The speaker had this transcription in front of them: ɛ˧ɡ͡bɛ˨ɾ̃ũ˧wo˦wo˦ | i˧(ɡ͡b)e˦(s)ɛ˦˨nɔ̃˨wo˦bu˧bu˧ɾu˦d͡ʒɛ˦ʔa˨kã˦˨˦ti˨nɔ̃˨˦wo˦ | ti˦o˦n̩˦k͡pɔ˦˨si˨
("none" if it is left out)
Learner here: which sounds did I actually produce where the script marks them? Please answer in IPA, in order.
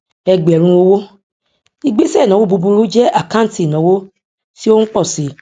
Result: ɡ͡b, s

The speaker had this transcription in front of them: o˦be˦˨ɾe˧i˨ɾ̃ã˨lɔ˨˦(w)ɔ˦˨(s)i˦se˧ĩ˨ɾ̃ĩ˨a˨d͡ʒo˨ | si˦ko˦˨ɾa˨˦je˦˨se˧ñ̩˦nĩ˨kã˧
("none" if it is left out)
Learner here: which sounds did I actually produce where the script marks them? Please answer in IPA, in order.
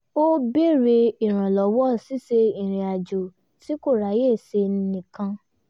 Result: w, s

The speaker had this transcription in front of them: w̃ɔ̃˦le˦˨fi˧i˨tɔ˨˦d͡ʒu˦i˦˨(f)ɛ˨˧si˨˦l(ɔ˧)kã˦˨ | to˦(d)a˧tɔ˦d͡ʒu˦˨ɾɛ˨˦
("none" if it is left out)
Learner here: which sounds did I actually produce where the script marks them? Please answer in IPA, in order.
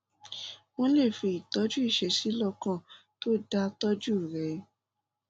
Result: ʃ, ɔ˧, d

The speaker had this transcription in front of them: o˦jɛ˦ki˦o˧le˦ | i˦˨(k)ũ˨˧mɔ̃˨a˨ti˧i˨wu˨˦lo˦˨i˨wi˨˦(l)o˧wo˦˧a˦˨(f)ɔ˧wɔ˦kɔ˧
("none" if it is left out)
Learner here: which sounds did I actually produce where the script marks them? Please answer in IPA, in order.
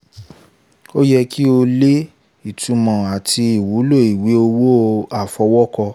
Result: t, none, f

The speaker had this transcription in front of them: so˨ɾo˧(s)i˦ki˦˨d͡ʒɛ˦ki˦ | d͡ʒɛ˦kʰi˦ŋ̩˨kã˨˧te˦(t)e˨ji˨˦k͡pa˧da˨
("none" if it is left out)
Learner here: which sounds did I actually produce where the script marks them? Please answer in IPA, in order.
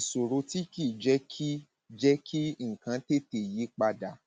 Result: t, t

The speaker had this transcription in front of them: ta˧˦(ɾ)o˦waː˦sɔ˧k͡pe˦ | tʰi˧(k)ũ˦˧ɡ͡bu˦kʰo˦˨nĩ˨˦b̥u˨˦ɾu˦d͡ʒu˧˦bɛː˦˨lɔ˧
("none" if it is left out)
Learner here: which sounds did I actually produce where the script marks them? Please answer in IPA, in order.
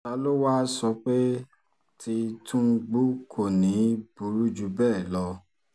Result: l, t

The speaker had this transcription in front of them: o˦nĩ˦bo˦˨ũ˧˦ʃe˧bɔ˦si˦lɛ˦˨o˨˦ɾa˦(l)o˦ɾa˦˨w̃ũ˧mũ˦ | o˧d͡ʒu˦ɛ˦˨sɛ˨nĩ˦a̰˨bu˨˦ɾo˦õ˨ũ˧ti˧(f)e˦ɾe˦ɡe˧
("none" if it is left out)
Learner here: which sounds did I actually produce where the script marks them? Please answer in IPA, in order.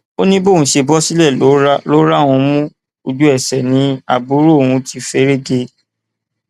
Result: l, f

